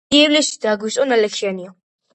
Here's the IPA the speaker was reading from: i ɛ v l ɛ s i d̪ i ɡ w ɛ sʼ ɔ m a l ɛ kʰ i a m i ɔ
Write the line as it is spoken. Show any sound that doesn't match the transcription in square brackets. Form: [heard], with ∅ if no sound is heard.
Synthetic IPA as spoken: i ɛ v l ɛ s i d̪ [a] ɡ w [i] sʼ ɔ [n] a l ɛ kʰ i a [n] i ɔ